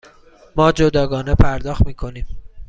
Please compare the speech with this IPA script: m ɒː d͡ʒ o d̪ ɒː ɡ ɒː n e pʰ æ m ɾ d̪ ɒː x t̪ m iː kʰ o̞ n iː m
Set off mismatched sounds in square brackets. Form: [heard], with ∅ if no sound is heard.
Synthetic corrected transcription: m ɒː d͡ʒ o d̪ ɒː ɡ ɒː n e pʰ æ [∅] ɾ d̪ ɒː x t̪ m iː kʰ o̞ n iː m

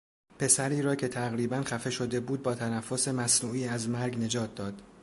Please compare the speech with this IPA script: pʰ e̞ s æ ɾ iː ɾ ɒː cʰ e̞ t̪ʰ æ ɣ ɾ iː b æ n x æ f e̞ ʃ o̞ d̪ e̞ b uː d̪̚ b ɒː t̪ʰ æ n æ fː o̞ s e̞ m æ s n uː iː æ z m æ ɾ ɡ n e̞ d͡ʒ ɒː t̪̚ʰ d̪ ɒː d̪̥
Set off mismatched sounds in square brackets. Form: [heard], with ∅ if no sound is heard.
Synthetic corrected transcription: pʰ e̞ s æ ɾ iː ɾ ɒː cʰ e̞ t̪ʰ æ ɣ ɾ iː b æ n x æ f e̞ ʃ o̞ d̪ e̞ b uː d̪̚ b ɒː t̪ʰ æ n æ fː o̞ s e̞ m æ s n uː iː æ z m æ ɾ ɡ n e̞ d͡ʒ ɒː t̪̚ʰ d̪ ɒː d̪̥

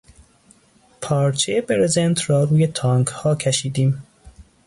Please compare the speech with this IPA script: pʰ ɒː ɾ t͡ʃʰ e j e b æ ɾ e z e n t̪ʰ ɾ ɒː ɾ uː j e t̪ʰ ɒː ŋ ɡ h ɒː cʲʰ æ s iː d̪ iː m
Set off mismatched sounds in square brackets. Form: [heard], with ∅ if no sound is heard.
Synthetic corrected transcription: pʰ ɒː ɾ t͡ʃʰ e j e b [e] ɾ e z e n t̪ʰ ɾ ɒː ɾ uː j e t̪ʰ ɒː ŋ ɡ h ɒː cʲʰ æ [ʃ] iː d̪ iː m

